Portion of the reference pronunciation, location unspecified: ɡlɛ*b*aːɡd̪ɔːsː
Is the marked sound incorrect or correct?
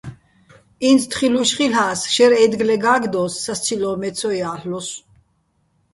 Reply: incorrect